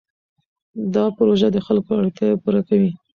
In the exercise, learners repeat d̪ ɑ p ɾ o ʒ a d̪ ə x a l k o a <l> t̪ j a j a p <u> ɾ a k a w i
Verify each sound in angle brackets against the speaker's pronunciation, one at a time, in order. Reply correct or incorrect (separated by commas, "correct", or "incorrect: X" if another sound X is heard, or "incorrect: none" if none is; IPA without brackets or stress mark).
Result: incorrect: ɽ, correct